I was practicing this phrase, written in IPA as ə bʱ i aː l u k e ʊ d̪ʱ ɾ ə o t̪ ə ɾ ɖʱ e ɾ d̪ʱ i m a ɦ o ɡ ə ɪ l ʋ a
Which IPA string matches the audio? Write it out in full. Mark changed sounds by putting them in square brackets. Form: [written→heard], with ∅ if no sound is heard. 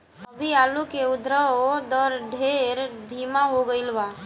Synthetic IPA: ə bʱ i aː l u k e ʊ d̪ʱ ɾ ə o [t̪→d̪] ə ɾ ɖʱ e ɾ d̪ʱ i m a ɦ o ɡ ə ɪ l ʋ a